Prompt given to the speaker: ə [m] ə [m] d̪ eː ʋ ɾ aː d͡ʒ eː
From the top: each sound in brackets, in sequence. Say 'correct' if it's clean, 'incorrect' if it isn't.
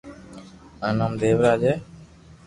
incorrect, correct

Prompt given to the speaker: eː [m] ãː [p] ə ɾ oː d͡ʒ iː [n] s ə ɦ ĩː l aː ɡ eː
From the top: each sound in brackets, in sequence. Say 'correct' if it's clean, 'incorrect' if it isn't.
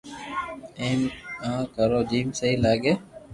correct, incorrect, incorrect

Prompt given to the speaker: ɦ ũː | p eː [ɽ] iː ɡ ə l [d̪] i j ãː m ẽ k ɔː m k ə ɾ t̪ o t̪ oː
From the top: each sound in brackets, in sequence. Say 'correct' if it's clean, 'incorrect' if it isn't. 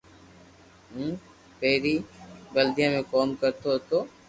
incorrect, correct

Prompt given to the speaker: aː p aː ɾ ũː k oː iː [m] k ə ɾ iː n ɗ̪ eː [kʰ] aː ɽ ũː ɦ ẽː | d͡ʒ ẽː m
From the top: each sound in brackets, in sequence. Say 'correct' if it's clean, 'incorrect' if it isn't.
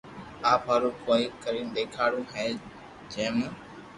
incorrect, correct

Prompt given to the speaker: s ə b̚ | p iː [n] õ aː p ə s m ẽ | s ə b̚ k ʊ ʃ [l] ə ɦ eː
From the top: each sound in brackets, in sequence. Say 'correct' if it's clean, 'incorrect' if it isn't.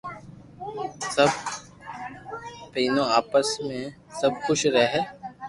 correct, incorrect

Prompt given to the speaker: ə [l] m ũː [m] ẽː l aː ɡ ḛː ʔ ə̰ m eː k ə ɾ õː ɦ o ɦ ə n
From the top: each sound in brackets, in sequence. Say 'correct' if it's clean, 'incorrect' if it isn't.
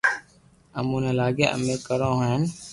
incorrect, incorrect

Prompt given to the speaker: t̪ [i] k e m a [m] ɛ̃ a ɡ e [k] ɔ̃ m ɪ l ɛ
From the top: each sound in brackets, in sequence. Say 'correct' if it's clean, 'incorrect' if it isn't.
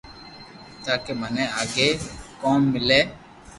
incorrect, incorrect, correct

